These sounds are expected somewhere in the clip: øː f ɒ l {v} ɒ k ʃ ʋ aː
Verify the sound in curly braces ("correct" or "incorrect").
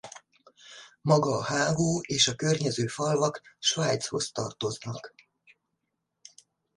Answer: correct